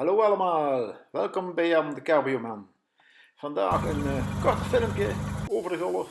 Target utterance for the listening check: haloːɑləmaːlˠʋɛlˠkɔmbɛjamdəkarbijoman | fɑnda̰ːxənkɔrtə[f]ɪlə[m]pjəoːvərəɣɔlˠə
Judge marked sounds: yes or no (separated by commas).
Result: yes, yes